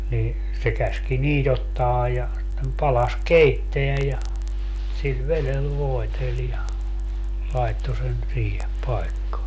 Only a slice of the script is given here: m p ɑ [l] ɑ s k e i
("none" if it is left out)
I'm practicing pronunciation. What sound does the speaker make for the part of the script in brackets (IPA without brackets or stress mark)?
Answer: l